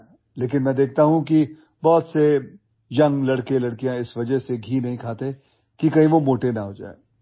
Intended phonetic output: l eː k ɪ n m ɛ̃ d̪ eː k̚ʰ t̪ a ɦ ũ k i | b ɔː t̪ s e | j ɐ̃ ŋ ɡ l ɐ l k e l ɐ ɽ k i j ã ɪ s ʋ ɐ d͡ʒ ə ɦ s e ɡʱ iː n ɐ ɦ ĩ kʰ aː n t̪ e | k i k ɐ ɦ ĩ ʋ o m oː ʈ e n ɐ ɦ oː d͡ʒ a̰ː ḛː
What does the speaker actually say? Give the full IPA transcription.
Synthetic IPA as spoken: l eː k ɪ n m ɛ̃ d̪ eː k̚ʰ t̪ a ɦ ũ k i | b ɔː t̪ s e | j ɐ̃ ŋ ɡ l ɐ ɽ k e l ɐ ɽ k i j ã ɪ s ʋ ɐ d͡ʒ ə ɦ s e ɡʱ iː n ɐ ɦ ĩ kʰ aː t̪ e | k i k ɐ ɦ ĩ ʋ o m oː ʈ e n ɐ ɦ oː d͡ʒ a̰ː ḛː